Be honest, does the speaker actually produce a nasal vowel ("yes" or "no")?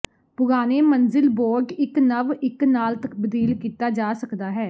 no